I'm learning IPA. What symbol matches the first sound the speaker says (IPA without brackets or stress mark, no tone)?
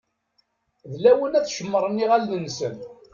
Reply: ð